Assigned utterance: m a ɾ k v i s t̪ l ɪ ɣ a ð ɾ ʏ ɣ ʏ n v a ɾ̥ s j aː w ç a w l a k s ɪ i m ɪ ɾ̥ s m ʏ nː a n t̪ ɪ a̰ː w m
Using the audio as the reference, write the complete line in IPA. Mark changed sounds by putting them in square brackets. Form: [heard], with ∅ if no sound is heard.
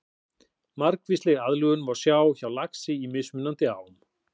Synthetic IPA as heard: m a ɾ k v i s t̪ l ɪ ɣ a ð [l] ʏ ɣ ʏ n v a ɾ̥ s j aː w ç a w l a k s ɪ i m ɪ [∅] s m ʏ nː a n t̪ ɪ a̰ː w m